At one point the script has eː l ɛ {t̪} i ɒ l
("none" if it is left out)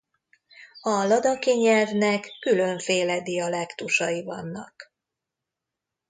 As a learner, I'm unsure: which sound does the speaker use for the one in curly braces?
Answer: d̪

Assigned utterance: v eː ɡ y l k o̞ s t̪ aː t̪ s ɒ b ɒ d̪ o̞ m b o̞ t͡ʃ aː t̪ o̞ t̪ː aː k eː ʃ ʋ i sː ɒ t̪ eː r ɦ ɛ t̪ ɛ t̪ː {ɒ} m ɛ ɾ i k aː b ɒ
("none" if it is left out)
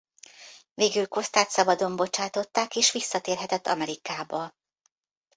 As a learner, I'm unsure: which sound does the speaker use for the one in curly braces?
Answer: ɒ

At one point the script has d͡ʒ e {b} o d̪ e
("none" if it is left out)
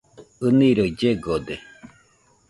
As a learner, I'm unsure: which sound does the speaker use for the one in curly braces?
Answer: ɡ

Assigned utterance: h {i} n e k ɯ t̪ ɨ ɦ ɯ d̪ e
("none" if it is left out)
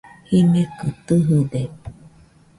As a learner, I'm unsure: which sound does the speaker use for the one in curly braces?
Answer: i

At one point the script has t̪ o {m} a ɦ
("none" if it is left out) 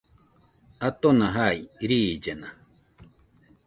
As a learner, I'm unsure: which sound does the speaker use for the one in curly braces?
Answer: n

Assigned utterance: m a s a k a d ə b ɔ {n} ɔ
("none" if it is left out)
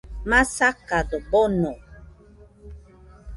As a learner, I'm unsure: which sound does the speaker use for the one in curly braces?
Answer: n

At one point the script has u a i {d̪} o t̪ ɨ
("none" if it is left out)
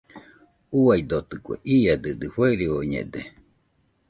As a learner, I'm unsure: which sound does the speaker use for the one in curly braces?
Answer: d̪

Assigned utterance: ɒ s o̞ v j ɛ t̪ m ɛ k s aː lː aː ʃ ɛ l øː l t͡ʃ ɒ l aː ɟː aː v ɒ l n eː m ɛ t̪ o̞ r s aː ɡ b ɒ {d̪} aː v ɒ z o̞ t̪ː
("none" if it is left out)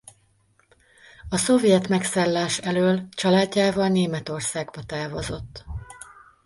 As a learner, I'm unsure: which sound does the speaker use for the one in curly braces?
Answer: t̪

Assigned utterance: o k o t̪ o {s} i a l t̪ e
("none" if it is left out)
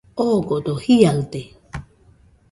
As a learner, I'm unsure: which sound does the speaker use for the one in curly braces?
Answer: h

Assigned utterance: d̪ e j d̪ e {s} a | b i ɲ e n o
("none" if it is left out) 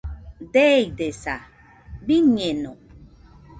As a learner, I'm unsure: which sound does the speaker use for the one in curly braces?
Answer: s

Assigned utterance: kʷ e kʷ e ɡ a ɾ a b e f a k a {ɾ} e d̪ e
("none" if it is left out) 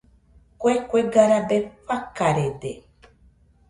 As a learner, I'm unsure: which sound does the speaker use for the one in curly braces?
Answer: ɾ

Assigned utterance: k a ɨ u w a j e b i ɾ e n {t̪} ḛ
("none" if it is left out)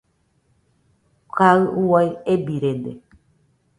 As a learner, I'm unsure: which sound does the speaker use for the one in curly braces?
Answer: d̪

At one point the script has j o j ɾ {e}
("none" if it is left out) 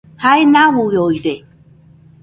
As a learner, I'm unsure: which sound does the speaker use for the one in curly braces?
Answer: e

